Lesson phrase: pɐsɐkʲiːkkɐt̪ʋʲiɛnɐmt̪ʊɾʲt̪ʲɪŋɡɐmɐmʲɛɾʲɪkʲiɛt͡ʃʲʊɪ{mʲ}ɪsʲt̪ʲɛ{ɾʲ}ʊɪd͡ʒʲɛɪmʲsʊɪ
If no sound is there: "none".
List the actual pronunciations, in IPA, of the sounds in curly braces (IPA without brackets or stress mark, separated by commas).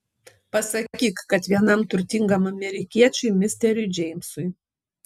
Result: mʲ, ɾʲ